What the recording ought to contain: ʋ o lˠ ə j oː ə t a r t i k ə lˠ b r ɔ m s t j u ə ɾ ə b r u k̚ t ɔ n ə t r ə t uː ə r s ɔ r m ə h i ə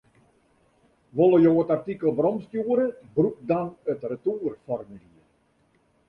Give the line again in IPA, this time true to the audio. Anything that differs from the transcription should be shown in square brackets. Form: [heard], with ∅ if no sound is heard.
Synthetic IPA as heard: ʋ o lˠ ə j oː ə t a r t i k ə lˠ b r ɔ m s t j u ə ɾ ə b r u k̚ [d] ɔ n ə t r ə t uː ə r [f] ɔ r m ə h i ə